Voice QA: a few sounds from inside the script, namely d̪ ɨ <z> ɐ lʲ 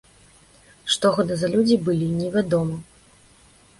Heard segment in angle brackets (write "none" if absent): z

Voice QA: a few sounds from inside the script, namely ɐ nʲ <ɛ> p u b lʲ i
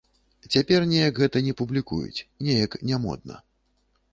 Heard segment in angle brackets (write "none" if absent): ɛ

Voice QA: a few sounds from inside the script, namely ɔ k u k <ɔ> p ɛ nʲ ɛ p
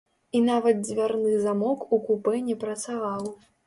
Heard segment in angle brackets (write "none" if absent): u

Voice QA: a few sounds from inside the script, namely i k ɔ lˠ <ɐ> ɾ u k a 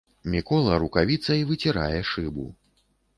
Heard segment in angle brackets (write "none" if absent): ɐ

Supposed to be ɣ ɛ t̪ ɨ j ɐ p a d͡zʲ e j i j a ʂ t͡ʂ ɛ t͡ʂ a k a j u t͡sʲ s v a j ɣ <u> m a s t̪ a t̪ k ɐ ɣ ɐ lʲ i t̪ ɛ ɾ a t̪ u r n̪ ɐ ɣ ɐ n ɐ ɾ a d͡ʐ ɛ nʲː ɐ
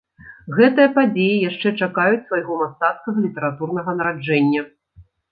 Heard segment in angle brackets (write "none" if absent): ɔ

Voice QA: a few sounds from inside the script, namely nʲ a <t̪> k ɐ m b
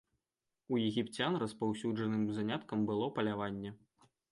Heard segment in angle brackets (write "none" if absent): t̪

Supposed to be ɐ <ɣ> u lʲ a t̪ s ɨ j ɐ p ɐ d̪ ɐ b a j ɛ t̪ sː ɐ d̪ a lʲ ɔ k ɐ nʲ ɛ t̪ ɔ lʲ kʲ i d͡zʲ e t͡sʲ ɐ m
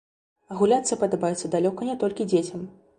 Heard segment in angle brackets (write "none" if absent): ɣ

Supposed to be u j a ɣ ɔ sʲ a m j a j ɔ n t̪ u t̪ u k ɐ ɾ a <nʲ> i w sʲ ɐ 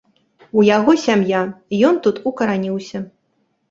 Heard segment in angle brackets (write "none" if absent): nʲ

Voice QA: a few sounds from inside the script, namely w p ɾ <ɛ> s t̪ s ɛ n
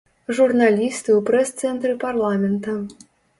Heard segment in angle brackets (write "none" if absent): ɛ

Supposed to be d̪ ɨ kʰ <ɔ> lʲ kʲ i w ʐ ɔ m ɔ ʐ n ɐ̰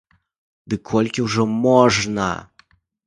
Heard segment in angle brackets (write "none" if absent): ɔ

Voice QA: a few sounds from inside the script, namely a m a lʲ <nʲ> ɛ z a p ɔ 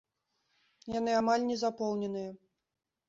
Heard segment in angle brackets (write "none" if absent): nʲ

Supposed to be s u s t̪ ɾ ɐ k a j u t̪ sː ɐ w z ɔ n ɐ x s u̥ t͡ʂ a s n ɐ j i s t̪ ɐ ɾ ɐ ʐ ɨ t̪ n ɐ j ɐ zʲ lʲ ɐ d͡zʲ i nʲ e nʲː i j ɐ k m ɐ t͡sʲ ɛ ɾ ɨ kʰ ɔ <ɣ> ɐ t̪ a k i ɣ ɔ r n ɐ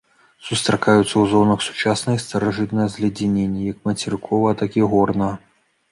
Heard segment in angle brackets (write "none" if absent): v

